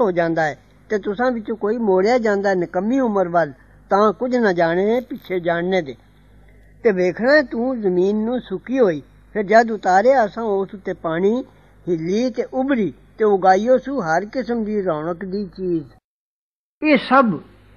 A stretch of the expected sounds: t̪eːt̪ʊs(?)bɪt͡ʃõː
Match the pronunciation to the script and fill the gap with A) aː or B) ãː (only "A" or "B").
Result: B